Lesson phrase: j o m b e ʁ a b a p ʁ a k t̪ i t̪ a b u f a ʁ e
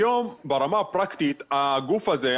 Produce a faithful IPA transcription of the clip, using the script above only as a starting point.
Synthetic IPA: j o m b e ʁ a m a p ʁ a k t̪ i t̪ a ɡ u f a z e